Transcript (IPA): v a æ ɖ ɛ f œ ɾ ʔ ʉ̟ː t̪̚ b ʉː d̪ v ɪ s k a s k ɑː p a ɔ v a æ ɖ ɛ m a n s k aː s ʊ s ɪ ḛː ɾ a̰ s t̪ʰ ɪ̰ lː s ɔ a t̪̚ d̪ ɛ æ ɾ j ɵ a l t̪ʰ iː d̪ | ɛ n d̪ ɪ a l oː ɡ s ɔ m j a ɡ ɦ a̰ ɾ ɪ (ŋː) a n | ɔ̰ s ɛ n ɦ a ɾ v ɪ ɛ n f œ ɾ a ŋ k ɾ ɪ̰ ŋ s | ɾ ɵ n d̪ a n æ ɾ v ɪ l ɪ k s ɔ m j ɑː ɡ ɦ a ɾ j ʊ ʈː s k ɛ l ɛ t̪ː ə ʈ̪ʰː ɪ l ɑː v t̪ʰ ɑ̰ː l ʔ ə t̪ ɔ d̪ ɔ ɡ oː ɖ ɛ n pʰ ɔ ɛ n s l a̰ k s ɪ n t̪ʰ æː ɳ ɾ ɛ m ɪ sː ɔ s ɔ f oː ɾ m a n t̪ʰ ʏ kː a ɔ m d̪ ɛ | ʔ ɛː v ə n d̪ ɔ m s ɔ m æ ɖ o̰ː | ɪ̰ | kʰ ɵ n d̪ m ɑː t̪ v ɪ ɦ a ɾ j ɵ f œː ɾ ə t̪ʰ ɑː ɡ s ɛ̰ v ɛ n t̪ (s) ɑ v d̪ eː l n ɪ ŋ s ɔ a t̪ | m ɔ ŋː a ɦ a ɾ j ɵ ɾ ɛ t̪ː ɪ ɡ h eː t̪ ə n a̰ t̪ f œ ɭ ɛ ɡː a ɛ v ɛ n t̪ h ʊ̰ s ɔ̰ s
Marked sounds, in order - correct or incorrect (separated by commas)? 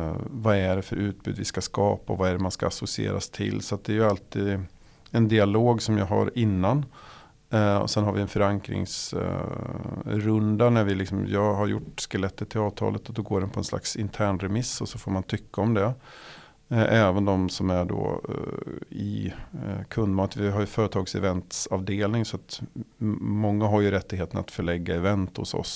incorrect, correct